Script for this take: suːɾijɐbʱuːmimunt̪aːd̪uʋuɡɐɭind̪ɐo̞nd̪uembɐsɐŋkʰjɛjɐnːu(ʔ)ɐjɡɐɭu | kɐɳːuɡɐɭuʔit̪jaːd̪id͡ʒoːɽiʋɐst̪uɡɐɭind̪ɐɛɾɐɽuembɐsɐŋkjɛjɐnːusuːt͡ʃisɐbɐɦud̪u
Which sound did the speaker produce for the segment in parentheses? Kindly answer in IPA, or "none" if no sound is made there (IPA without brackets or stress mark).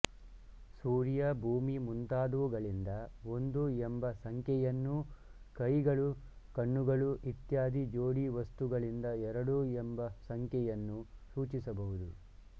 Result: k